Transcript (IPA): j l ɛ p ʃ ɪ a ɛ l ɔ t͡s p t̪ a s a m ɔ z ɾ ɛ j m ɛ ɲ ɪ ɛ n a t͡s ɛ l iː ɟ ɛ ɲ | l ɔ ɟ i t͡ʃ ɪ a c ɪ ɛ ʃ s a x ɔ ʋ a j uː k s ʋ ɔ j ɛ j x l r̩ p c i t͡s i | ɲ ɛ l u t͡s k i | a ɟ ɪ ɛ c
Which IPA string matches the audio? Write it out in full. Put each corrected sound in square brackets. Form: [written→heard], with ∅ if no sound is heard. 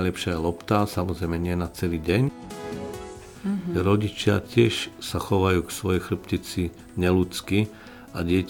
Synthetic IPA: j l ɛ p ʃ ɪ a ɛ l ɔ [t͡s→∅] p t̪ a s a m ɔ z ɾ ɛ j m ɛ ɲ ɪ ɛ n a t͡s ɛ l iː ɟ ɛ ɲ | [l→ɾ] ɔ ɟ i t͡ʃ ɪ a c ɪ ɛ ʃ s a x ɔ ʋ a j uː k s ʋ ɔ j ɛ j x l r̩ p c i t͡s i | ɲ ɛ l u t͡s k i | a ɟ ɪ ɛ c